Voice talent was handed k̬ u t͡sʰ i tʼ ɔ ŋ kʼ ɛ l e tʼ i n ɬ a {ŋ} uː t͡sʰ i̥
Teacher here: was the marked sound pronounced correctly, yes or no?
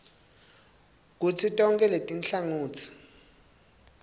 yes